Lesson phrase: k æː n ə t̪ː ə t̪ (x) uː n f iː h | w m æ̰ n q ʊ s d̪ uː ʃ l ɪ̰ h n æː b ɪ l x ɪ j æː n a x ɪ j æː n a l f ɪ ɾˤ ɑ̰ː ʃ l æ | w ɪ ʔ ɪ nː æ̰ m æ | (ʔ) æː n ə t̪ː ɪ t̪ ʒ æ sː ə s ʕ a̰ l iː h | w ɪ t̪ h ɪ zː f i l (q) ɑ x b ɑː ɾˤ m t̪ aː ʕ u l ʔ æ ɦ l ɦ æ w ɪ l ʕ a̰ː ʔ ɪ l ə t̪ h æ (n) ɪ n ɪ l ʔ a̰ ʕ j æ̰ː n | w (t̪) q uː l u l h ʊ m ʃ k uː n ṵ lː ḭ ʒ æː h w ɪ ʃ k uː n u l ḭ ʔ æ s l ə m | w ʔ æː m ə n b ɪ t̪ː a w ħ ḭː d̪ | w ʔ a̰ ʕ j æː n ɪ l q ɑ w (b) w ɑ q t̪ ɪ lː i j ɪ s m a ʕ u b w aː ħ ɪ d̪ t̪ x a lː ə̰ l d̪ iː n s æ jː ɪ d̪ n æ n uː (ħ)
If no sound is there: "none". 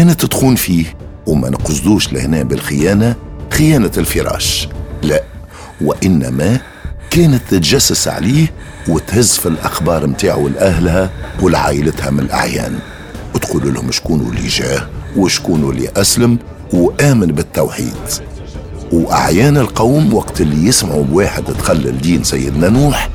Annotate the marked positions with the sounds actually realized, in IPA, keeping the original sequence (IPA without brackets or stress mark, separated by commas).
x, k, ʔ, m, t̪, m, ħ